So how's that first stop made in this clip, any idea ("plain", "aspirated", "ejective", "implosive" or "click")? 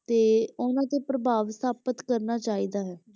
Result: plain